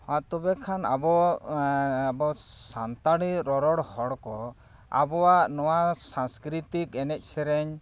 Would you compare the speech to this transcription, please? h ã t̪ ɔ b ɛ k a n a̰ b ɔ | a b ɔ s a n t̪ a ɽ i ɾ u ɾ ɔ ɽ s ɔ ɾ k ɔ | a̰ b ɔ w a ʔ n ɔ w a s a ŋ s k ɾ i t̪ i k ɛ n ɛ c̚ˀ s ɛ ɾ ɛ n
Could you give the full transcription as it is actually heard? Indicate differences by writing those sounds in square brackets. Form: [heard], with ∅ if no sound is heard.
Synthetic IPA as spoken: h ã t̪ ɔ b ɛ [kʰ] a n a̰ b ɔ | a b ɔ s a n t̪ a ɽ i ɾ [ɔ] ɾ ɔ ɽ [h] ɔ [ɽ] k ɔ | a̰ b ɔ w a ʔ n ɔ w a s a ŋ s k ɾ i t̪ i k ɛ n ɛ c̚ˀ s ɛ ɾ ɛ [ɲ]